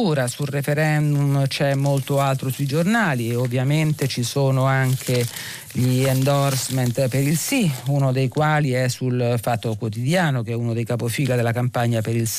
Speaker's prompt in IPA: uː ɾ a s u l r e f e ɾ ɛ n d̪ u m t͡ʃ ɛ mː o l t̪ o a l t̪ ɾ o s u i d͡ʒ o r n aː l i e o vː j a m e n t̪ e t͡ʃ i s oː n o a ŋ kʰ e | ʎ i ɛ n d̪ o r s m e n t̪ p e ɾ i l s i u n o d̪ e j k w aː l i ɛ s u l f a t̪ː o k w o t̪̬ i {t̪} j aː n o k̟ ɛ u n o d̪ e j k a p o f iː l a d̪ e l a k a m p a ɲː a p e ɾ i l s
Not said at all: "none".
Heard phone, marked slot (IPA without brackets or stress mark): d̪